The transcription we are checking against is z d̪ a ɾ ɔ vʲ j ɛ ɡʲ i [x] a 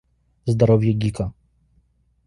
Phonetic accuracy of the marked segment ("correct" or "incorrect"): incorrect